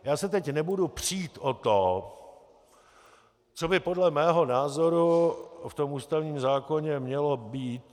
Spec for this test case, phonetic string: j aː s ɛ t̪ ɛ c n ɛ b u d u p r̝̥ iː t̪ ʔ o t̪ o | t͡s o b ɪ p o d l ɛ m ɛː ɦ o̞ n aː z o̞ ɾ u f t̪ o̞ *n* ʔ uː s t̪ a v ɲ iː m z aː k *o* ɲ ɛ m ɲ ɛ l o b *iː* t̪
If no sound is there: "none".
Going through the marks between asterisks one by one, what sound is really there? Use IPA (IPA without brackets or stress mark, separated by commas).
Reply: m, o, iː